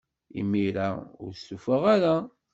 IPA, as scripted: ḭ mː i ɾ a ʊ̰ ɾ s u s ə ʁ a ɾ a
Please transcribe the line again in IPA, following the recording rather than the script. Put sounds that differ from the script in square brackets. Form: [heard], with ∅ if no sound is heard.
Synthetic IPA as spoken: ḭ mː i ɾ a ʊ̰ ɾ s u [f] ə ʁ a ɾ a